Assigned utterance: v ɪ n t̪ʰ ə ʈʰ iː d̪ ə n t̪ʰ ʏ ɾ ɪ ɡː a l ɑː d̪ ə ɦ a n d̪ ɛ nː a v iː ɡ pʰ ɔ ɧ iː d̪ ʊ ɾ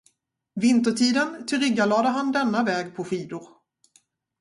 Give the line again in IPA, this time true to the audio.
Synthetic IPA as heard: v ɪ n t̪ ə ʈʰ iː d̪ ə n t̪ʰ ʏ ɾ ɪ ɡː a l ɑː d̪ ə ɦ a n d̪ ɛ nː a v ɛː ɡ pʰ ɔ ɧ iː d̪ ʊ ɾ